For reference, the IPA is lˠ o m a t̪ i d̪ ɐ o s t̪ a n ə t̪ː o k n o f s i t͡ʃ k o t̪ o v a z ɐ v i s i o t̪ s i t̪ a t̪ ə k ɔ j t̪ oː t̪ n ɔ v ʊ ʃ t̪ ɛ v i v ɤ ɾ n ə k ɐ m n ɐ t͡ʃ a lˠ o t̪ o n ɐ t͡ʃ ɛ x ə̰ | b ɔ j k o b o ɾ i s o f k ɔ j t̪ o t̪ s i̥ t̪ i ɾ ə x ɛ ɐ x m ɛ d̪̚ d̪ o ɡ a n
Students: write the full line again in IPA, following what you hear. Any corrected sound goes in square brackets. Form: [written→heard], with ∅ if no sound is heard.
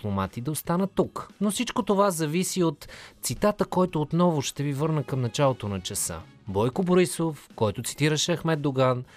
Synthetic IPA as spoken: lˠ o m a t̪ i d̪ ɐ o s t̪ a n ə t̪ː [o→u] k n o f s i t͡ʃ k o t̪ o v a z ɐ v i s i o t̪ s i t̪ a t̪ ə k ɔ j t̪ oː t̪ n ɔ v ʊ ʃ t̪ ɛ v i v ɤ ɾ n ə k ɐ m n ɐ t͡ʃ a lˠ o t̪ o n ɐ t͡ʃ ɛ [x→s] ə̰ | b ɔ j k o b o ɾ i s o f k ɔ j t̪ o t̪ s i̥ t̪ i ɾ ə [x→ʃ] ɛ ɐ x m ɛ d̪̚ d̪ o ɡ a n